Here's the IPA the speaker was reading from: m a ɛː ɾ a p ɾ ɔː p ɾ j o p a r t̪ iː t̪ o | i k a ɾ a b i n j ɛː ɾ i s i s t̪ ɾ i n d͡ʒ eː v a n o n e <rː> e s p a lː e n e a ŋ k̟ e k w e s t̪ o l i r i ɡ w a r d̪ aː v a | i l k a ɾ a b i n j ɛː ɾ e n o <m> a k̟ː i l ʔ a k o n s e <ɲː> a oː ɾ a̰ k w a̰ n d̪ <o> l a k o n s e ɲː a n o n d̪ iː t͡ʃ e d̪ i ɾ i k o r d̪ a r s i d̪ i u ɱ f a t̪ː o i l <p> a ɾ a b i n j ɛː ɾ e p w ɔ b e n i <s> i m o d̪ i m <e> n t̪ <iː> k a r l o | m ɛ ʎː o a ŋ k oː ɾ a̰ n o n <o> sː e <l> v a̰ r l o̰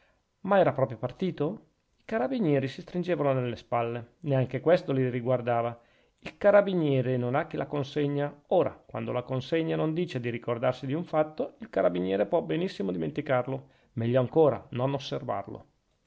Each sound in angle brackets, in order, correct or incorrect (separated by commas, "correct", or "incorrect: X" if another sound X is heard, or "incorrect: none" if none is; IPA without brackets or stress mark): incorrect: lː, incorrect: n, correct, correct, incorrect: k, incorrect: sː, correct, incorrect: i, correct, incorrect: r